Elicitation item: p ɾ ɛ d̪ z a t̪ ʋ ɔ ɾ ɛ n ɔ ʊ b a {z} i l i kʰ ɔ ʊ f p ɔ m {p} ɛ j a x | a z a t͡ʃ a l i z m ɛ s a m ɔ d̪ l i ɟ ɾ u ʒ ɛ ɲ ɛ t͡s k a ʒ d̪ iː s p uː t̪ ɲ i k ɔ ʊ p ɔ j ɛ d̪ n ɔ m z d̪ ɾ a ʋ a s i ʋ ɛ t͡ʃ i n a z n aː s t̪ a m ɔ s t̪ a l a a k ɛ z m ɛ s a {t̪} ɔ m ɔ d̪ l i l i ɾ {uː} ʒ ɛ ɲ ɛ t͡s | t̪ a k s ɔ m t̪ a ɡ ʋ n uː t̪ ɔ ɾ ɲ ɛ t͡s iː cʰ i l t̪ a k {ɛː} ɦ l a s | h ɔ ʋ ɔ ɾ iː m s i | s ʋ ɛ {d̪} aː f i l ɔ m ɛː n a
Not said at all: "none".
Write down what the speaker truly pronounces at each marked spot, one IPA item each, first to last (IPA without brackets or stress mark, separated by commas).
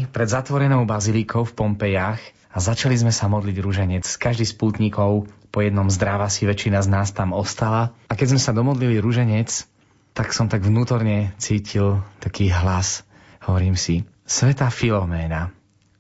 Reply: z, p, d̪, u, iː, t̪